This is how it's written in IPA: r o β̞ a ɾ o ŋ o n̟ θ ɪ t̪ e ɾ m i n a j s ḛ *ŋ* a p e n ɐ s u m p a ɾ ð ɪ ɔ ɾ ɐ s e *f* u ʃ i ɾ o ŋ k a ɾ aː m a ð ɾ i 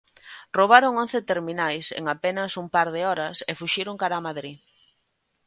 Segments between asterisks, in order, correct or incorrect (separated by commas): correct, correct